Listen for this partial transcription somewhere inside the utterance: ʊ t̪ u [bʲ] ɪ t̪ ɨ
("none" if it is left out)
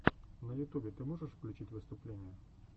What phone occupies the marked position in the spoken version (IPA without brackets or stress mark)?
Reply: bʲ